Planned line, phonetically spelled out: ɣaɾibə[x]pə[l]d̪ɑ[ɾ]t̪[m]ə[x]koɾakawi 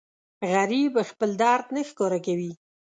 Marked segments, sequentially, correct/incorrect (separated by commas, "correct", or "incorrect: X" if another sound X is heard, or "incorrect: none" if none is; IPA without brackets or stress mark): correct, correct, correct, incorrect: n, correct